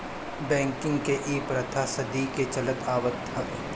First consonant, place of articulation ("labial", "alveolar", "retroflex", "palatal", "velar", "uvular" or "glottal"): labial